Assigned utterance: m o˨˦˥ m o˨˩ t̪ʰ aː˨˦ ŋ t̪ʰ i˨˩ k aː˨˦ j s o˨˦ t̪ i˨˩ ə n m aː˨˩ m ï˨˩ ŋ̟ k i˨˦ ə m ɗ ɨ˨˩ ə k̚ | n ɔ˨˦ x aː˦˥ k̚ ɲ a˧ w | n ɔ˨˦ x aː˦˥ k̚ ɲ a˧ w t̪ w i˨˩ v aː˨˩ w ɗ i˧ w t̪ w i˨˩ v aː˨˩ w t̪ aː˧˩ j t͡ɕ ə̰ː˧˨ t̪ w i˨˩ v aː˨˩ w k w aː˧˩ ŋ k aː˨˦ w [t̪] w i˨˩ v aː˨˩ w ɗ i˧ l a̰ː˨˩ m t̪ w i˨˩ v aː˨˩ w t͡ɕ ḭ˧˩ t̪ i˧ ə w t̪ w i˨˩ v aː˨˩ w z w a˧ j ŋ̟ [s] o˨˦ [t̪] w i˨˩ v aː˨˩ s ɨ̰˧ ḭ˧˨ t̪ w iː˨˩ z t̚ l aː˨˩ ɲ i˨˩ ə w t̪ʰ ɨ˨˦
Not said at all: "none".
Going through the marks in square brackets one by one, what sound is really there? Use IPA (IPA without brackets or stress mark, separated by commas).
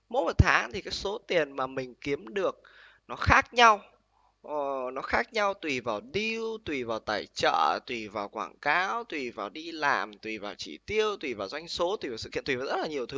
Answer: t̪, s, t̪